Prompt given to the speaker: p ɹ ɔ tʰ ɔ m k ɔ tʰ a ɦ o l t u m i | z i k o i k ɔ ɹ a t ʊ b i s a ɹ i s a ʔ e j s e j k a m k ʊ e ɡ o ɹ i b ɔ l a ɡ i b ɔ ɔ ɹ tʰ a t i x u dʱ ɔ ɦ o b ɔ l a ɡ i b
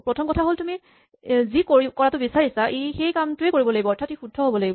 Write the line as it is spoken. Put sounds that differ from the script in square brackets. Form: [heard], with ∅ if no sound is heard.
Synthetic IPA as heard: p ɹ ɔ tʰ ɔ m k ɔ tʰ a ɦ o l t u m i | z i k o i k ɔ ɹ a t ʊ b i s a ɹ i s a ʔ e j [x] e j k a m [t] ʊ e [k] o ɹ i b ɔ l a ɡ i b ɔ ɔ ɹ tʰ a t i x u dʱ ɔ ɦ o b ɔ l a ɡ i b